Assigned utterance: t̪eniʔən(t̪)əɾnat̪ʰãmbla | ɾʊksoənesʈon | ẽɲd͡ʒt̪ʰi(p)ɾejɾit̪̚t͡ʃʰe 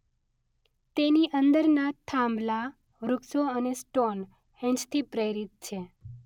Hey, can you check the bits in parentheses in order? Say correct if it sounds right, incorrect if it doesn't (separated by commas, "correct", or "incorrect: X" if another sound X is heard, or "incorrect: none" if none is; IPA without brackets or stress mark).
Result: incorrect: d̪, correct